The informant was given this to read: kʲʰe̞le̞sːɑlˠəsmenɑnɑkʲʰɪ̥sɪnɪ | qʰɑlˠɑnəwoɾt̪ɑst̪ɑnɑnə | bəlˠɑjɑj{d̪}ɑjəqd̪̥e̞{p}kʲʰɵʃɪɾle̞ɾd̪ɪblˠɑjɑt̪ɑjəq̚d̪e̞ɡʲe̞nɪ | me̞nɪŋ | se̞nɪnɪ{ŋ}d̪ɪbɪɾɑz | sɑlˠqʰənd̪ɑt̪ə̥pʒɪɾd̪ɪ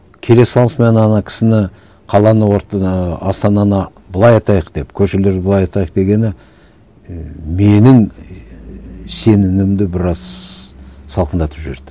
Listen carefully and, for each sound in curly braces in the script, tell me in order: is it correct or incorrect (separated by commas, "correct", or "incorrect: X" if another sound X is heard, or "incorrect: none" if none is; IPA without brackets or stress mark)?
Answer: incorrect: t̪, correct, incorrect: m